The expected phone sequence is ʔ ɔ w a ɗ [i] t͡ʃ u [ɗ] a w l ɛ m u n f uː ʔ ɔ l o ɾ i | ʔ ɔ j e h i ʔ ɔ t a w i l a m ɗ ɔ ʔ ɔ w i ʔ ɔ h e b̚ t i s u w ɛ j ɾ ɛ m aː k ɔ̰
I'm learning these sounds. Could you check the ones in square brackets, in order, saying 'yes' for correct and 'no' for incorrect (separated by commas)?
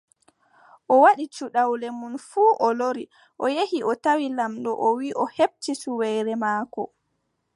yes, yes